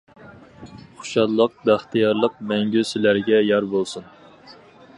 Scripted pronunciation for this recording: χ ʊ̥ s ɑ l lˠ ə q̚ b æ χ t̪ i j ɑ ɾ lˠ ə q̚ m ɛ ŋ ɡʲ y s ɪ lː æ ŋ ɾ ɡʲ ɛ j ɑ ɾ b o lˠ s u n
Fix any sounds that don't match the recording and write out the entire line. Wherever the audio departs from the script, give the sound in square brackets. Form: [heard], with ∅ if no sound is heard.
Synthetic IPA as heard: χ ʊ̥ [ʃ] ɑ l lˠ ə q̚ b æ χ t̪ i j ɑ ɾ lˠ ə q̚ m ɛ ŋ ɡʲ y s ɪ [l] æ [∅] ɾ ɡʲ ɛ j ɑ ɾ b o lˠ s u n